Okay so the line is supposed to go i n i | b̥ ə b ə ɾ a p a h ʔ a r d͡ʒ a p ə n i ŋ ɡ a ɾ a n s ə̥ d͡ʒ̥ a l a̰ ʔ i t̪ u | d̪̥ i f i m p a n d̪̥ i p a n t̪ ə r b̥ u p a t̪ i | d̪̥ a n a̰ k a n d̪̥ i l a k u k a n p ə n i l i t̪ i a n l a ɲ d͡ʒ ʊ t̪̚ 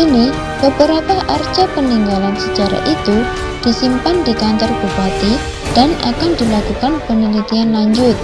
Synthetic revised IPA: i n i | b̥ ə b ə ɾ a p a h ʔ a r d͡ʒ a p ə n i ŋ ɡ a l a n s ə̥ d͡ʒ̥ a ɾ a̰ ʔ i t̪ u | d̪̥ i s i m p a n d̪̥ i k a n t̪ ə r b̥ u p a t̪ i | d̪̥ a n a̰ k a n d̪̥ i l a k u k a n p ə n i l i t̪ i a n l a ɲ d͡ʒ ʊ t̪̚